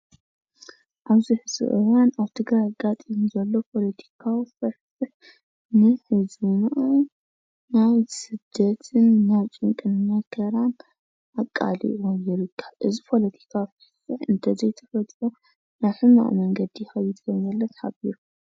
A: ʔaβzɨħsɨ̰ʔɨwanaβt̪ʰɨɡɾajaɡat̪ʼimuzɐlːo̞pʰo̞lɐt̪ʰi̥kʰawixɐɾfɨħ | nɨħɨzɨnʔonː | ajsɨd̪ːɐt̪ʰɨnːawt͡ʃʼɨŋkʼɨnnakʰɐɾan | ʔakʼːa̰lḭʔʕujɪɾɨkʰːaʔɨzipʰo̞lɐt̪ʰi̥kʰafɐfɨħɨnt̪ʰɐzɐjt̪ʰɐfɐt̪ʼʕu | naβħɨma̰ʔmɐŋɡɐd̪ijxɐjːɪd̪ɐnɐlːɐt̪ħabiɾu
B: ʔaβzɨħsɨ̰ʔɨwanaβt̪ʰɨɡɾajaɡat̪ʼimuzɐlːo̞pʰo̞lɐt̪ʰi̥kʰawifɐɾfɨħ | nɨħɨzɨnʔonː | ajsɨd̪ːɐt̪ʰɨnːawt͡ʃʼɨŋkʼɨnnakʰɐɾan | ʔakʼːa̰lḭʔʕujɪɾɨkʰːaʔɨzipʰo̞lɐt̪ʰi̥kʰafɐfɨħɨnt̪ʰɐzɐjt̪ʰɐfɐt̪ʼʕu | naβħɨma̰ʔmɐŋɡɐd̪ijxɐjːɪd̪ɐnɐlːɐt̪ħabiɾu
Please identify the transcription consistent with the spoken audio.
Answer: B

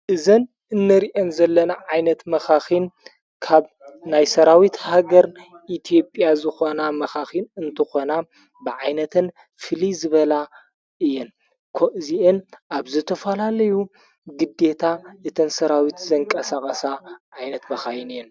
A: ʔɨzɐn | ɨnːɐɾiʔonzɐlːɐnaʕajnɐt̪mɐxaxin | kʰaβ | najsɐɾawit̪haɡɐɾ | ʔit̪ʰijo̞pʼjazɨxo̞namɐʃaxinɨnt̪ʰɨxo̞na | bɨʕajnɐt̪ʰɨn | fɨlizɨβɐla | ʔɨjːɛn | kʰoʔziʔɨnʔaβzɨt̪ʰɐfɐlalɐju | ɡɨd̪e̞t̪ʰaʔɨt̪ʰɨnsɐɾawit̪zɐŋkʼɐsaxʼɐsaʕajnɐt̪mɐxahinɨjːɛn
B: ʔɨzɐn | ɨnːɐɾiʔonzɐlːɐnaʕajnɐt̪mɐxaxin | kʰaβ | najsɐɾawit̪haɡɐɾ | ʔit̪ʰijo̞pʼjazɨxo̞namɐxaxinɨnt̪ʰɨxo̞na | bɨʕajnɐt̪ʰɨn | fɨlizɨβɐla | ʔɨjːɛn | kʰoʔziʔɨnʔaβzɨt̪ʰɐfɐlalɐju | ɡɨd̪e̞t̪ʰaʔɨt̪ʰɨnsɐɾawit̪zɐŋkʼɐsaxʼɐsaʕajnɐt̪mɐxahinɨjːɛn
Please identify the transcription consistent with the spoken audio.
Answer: B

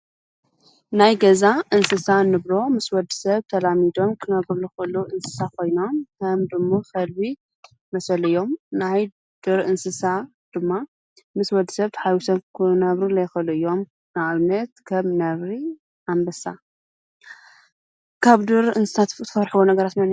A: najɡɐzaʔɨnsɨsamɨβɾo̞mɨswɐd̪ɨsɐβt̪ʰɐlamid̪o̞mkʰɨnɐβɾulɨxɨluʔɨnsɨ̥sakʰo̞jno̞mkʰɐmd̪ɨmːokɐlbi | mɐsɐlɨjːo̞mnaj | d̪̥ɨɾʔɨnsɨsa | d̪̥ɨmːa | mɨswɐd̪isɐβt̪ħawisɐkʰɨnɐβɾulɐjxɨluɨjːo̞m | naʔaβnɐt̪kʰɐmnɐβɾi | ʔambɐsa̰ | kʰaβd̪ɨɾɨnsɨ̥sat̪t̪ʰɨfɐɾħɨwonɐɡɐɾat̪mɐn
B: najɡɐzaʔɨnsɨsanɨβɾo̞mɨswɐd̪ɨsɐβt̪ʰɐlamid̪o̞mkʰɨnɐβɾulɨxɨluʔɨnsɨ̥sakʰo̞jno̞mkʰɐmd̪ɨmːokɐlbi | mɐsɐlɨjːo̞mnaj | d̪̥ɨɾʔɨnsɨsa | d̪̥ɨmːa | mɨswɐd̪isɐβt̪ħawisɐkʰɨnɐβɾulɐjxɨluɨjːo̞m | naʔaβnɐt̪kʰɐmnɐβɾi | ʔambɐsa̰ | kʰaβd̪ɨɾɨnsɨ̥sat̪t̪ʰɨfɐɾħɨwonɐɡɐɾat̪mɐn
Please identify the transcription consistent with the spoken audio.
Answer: B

